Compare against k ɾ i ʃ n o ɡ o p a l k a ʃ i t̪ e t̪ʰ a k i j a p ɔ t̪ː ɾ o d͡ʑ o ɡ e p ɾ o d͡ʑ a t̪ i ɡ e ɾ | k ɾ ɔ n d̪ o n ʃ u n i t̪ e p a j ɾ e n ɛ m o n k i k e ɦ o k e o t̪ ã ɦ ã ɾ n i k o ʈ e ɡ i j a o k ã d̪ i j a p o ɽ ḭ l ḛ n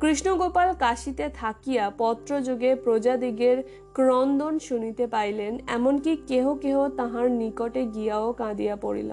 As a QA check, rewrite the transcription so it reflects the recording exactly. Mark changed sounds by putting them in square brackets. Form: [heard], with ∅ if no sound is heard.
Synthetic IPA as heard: k ɾ i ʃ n o ɡ o p a l k a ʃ i t̪ e t̪ʰ a k i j a p ɔ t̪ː ɾ o d͡ʑ o ɡ e p ɾ o d͡ʑ a [d̪] i ɡ e ɾ | k ɾ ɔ n d̪ o n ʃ u n i t̪ e p a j [l] e n ɛ m o n k i k e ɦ o k e o t̪ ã ɦ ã ɾ n i k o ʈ e ɡ i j a o k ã d̪ i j a p o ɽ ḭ l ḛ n